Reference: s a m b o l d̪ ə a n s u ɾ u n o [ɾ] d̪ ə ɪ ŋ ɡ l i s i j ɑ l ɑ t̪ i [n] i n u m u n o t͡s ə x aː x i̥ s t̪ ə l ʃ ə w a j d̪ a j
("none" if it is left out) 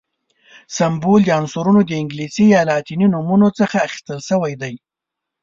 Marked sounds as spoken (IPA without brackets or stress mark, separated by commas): none, n